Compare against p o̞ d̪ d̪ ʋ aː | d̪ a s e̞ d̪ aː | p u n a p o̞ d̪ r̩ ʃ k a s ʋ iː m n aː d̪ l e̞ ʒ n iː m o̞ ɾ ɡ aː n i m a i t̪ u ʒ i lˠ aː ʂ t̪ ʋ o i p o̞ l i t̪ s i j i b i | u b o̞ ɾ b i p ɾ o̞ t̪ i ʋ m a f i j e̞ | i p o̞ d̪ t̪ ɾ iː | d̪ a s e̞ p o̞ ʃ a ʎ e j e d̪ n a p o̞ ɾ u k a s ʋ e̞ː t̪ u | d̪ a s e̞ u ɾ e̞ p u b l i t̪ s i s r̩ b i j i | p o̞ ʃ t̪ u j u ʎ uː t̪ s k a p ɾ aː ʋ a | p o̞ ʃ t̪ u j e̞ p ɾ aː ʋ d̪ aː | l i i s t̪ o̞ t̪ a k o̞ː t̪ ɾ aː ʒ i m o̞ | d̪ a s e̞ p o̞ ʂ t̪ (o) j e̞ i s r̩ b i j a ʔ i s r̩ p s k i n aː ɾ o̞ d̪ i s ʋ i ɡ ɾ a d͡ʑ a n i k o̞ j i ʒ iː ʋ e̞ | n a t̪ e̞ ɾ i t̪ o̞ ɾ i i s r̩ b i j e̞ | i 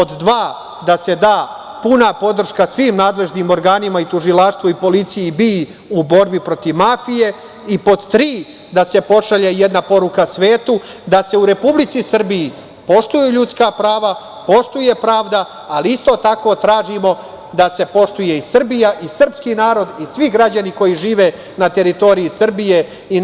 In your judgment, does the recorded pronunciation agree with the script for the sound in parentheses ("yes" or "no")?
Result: no